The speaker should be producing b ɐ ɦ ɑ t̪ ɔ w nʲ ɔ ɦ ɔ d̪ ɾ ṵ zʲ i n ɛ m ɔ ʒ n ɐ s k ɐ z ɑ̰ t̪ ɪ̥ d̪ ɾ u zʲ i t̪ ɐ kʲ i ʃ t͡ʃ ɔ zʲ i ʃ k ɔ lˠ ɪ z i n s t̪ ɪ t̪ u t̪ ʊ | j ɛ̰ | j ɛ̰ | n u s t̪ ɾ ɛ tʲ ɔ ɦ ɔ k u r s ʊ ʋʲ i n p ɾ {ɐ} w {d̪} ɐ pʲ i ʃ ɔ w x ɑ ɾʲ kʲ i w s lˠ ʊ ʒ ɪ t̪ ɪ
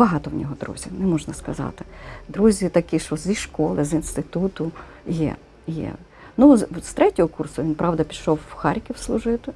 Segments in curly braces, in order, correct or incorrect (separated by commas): incorrect, correct